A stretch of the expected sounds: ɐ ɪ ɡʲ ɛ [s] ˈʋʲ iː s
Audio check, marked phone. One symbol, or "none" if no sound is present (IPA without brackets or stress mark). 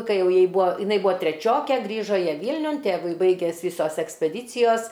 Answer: s